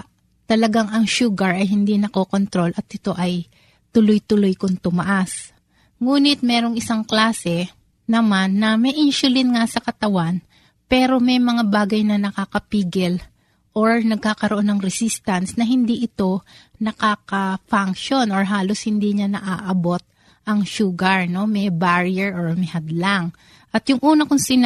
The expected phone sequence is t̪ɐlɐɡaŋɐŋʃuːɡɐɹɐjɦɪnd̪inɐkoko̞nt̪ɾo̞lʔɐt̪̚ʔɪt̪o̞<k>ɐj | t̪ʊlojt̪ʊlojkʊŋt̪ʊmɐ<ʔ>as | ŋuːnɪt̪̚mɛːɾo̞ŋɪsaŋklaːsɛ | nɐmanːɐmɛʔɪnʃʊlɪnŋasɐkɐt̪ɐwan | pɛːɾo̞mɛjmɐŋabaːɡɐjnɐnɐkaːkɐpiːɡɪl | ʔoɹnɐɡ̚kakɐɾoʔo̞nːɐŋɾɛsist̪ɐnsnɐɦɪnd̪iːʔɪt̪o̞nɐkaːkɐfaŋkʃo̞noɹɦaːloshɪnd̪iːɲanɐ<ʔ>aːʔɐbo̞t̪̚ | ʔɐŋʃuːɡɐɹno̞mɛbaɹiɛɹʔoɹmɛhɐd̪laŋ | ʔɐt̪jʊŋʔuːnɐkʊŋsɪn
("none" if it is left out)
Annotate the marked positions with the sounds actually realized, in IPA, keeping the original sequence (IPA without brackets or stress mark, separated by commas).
ʔ, ʔ, ʔ